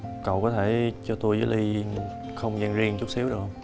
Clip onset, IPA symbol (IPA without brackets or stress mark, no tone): k